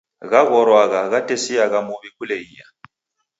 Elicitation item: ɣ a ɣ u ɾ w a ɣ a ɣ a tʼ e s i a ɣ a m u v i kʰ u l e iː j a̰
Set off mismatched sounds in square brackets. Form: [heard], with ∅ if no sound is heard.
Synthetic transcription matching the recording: ɣ a ɣ [ɔ] ɾ w a ɣ a ɣ a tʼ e s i a ɣ a m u [β] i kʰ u l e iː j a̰

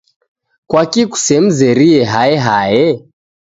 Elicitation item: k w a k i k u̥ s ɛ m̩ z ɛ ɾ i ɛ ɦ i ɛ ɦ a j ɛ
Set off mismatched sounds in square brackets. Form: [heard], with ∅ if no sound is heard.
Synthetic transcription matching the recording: k w a k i k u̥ s ɛ m̩ z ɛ ɾ i ɛ ɦ [a] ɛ ɦ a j ɛ

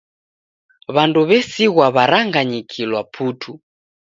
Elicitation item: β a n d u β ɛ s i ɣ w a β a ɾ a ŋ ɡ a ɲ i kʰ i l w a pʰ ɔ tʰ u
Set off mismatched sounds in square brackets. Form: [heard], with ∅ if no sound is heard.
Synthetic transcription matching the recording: β a n d u β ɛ s i ɣ w a β a ɾ a ŋ ɡ a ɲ i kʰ i l w a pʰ [u] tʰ u

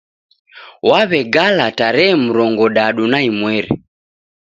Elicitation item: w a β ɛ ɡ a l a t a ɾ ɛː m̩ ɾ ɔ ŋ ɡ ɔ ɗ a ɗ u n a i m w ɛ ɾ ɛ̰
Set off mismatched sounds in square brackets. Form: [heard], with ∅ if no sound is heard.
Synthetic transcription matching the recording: w a β ɛ ɡ a l a t a ɾ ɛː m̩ ɾ ɔ ŋ ɡ ɔ ɗ a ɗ u n a i m w ɛ ɾ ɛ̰

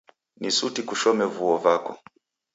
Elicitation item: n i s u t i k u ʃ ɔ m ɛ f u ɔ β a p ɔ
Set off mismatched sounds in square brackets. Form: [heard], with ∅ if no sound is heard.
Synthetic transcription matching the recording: n i s u t i k u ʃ ɔ m ɛ [v] u ɔ [v] a [k] ɔ

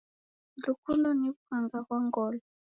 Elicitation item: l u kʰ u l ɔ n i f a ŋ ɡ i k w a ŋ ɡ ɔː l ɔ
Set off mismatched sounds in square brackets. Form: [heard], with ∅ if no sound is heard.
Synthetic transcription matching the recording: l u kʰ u l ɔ n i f a ŋ ɡ [a] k w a ŋ ɡ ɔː l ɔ

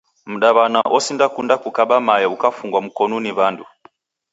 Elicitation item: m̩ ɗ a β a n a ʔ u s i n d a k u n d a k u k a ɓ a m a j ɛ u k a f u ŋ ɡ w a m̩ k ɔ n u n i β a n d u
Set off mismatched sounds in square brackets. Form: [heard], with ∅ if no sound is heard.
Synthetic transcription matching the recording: m̩ ɗ a β a n a ʔ [ɔ] s i n d a k u n d a k u k a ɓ a m a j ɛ u k a f u ŋ ɡ w a m̩ k ɔ n u n i β a n d u

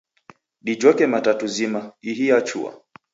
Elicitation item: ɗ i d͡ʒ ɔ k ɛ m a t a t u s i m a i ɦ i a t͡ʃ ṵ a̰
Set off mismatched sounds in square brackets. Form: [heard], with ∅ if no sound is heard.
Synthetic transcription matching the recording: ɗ i d͡ʒ ɔ k ɛ m a t a t u [z] i m a i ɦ i a t͡ʃ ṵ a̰

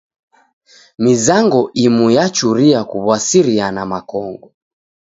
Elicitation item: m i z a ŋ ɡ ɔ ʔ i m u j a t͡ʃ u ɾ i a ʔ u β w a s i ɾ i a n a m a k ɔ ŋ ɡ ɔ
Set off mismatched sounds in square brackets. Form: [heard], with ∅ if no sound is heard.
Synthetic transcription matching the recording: m i z a ŋ ɡ ɔ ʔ i m u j a t͡ʃ u ɾ i a [k] u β w a s i ɾ i a n a m a k ɔ ŋ ɡ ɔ

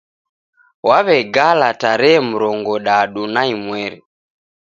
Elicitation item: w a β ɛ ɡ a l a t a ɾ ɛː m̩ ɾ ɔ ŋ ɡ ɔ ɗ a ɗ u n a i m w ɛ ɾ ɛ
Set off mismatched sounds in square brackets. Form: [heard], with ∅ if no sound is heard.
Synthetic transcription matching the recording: w a β ɛ ɡ a l a t a ɾ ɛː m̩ ɾ ɔ ŋ ɡ ɔ ɗ a ɗ u n a i m w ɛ ɾ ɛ

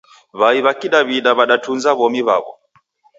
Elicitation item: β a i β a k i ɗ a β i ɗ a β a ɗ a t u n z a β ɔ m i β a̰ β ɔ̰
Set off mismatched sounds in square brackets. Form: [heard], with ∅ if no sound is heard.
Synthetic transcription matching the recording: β a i β a k i ɗ a β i ɗ a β a ɗ a t u n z a β ɔ m i β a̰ β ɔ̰

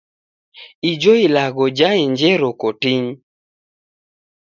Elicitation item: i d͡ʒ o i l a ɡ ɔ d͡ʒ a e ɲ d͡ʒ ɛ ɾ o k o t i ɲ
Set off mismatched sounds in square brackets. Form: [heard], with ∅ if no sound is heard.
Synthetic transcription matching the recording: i d͡ʒ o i l a ɡ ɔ d͡ʒ a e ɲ d͡ʒ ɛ ɾ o k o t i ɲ

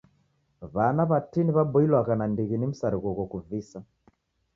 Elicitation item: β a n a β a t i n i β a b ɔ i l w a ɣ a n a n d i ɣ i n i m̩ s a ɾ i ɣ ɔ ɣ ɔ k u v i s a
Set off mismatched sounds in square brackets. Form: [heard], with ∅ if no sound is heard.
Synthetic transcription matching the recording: β a n a β a t i n i β a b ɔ i l w a ɣ a n a n d i ɣ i n i m̩ s a ɾ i ɣ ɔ ɣ ɔ k u v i s a

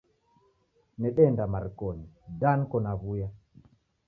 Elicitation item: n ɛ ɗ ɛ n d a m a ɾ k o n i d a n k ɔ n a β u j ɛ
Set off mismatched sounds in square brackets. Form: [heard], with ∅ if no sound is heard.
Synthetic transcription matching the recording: n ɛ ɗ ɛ n d a m a ɾ k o n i d a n k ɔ n a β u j [a]

